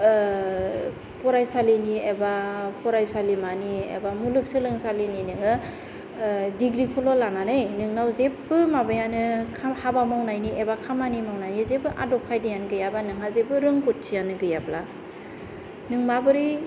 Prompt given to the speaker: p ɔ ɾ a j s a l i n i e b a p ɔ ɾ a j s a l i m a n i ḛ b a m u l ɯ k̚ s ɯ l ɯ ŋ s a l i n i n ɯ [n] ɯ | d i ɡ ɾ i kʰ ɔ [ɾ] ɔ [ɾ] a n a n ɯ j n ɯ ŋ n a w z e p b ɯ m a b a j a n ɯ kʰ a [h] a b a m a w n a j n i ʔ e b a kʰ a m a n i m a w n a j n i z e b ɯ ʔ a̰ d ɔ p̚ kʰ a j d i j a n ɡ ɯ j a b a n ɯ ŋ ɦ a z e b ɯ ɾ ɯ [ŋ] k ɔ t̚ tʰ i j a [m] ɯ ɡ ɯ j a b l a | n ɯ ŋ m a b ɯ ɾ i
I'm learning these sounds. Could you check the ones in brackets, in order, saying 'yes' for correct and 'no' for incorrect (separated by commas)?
no, no, no, yes, yes, no